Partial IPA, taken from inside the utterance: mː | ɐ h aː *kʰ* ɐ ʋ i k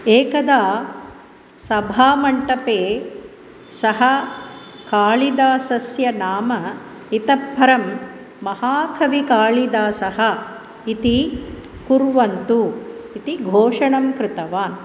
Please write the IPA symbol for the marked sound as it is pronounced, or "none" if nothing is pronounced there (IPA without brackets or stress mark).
kʰ